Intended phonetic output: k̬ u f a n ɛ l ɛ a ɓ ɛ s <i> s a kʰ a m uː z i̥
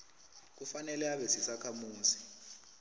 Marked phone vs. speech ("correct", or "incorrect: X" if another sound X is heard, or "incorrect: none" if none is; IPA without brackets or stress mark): correct